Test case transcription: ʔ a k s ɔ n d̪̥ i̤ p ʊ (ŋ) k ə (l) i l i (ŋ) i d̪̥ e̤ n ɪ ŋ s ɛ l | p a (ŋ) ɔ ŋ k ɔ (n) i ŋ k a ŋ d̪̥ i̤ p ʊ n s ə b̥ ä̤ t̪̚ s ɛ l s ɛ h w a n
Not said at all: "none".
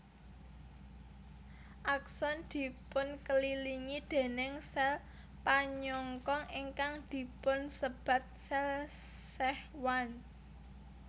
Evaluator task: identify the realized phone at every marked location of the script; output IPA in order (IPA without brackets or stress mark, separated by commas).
n, l, ŋ, ɲ, ŋ